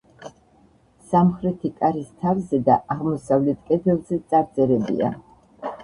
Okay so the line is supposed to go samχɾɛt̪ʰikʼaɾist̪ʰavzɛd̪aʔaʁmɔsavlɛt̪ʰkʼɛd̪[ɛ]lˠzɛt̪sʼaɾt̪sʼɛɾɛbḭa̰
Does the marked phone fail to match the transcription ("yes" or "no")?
no